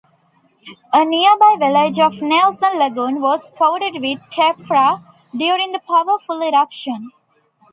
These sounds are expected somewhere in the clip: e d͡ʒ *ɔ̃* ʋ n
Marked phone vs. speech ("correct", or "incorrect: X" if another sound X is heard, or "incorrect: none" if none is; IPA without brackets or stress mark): incorrect: ɔ